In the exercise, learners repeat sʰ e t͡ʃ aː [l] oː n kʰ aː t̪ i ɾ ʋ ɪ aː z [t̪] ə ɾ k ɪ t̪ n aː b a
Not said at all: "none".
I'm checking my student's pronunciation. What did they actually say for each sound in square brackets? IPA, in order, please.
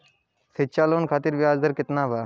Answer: l, d̪

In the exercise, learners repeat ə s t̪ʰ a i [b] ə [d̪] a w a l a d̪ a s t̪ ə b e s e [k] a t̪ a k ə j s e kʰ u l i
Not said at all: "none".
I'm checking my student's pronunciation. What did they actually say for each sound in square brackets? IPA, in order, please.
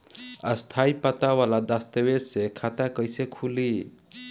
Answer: p, t̪, kʰ

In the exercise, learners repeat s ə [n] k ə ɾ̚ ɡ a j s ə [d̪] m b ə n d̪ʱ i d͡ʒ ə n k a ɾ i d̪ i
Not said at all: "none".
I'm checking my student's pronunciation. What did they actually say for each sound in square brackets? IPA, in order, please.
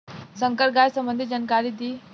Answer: ŋ, none

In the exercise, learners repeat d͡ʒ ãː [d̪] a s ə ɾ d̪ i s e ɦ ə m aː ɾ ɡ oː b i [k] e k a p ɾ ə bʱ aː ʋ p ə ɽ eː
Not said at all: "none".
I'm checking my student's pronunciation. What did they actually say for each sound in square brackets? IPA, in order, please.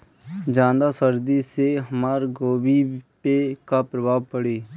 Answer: d̪, p

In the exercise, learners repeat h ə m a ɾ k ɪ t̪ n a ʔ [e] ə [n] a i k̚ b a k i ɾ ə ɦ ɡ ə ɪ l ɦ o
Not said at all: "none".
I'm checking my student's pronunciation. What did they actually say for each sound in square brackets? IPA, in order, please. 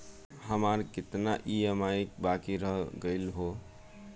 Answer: i, m

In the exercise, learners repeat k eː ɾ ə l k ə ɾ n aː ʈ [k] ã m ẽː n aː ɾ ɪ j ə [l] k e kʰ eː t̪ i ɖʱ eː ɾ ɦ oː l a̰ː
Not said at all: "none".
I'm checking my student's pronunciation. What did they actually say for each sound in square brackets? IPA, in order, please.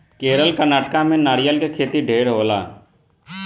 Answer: k, l

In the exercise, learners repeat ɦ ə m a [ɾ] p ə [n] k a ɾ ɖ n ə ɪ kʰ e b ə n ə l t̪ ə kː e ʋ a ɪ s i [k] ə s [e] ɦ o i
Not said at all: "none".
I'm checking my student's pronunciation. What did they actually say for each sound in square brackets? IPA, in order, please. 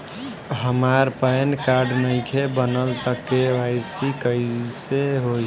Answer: ɾ, n, k, e

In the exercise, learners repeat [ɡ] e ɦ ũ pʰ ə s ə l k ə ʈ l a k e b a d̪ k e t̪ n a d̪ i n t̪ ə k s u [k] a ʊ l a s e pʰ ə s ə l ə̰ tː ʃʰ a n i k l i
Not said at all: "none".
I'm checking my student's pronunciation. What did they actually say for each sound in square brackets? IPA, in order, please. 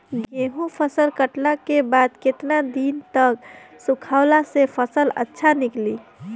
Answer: ɡ, kʰ

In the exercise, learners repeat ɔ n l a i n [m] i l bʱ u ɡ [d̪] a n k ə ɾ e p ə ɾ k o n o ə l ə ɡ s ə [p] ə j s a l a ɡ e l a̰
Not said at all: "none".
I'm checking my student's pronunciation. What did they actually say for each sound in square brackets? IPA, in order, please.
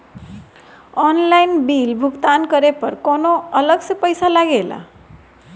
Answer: b, t̪, p

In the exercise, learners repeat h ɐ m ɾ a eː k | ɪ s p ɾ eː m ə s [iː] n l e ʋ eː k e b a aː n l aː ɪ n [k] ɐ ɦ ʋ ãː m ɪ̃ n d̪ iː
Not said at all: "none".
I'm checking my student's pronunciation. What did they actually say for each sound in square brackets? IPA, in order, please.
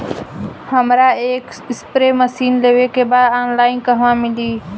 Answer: iː, k

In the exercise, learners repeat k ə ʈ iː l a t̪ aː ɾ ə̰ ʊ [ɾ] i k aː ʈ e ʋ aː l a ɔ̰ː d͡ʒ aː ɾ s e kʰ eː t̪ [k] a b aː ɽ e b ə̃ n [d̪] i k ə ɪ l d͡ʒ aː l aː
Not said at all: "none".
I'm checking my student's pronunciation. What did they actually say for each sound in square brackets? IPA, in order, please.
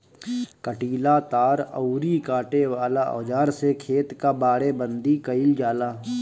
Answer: ɾ, k, d̪

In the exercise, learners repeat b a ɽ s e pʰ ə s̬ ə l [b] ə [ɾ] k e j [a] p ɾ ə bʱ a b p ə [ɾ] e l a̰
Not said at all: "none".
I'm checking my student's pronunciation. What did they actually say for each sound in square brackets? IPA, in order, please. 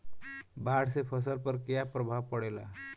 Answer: p, ɾ, a, ɽ

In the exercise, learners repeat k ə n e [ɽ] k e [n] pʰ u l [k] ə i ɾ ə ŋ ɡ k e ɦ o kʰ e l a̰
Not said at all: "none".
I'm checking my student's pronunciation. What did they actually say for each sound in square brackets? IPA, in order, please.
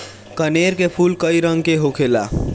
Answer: ɾ, none, k

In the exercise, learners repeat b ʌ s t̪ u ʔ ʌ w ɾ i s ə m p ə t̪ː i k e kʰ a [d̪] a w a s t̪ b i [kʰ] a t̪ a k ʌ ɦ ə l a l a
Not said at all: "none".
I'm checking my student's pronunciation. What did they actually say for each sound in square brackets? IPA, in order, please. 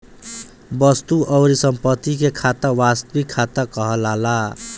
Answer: t̪, kʰ

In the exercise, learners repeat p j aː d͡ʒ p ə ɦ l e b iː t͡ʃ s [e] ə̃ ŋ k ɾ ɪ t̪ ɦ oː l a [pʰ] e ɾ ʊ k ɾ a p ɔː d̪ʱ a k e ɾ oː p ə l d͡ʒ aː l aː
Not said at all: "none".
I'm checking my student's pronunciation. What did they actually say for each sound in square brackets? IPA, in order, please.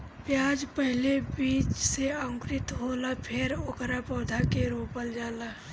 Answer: e, pʰ

